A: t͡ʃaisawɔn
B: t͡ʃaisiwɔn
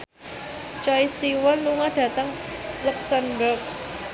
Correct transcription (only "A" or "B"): B